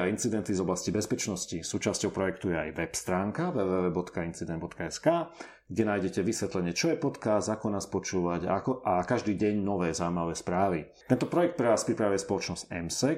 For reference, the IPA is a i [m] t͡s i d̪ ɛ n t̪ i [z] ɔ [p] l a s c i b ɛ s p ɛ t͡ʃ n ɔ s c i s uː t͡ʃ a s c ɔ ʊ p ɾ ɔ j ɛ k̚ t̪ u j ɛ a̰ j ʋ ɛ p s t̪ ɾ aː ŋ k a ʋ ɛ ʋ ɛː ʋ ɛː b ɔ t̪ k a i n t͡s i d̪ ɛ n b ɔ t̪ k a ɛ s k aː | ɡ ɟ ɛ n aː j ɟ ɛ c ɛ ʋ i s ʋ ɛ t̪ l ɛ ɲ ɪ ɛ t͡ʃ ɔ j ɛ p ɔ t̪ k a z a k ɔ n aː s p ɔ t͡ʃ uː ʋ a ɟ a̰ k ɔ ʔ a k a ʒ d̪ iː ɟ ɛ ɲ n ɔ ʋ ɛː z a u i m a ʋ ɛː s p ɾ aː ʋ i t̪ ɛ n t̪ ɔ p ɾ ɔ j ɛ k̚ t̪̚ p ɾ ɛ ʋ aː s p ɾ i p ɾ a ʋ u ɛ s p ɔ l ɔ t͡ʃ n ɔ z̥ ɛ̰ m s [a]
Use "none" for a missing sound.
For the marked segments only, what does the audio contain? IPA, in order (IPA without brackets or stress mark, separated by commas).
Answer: n, z, b, ɛ